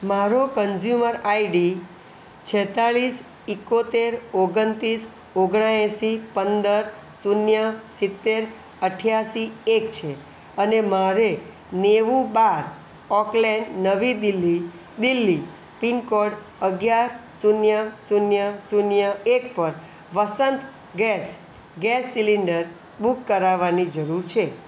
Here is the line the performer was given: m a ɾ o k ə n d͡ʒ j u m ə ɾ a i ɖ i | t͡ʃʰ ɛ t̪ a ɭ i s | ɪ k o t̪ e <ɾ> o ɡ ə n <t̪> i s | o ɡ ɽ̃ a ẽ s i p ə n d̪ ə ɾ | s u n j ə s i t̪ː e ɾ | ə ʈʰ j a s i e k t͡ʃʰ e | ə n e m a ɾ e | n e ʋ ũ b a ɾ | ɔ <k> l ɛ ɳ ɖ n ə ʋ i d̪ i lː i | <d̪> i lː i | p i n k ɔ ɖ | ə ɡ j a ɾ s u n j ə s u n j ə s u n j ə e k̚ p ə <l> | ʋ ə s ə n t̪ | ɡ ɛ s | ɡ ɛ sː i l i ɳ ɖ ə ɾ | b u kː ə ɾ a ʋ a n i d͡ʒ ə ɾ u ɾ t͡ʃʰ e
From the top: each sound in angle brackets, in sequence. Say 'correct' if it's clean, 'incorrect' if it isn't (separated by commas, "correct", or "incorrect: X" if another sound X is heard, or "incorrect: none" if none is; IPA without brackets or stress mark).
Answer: correct, correct, correct, correct, incorrect: ɾ